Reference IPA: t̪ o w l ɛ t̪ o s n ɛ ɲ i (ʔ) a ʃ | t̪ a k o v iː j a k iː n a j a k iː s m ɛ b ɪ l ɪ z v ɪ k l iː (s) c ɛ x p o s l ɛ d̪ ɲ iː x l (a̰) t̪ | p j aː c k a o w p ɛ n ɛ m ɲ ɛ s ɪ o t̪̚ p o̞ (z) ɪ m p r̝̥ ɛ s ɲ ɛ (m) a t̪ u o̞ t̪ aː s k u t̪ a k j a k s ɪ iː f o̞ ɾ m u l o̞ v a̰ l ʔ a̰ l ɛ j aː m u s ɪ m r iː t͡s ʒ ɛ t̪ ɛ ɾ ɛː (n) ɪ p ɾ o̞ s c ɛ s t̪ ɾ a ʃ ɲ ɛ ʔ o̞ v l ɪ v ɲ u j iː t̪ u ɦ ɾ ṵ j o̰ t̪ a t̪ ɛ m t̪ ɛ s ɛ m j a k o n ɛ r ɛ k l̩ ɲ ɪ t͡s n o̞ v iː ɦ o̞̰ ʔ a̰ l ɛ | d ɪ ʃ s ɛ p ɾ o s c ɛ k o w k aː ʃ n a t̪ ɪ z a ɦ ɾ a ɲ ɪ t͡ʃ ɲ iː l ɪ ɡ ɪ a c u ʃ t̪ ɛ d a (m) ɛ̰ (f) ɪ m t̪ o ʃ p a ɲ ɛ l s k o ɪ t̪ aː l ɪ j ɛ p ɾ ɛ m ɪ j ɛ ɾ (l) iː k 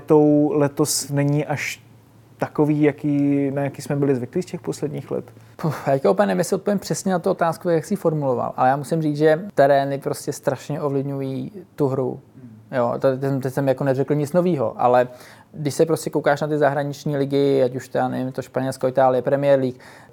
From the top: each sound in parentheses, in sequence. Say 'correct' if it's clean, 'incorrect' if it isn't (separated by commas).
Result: correct, correct, incorrect, incorrect, incorrect, correct, incorrect, incorrect, correct